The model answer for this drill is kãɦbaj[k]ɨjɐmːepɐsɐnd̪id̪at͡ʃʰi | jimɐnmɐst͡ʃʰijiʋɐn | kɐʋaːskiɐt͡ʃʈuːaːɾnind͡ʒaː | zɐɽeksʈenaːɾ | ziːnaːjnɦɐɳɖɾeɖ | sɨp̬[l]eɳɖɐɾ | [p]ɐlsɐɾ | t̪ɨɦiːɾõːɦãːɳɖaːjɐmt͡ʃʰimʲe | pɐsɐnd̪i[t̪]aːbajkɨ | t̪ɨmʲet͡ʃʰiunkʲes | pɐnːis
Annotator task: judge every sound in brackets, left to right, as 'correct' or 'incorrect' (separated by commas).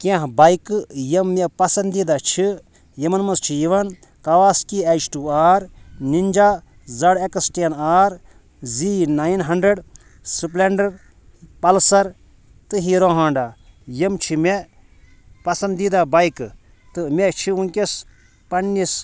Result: correct, correct, correct, incorrect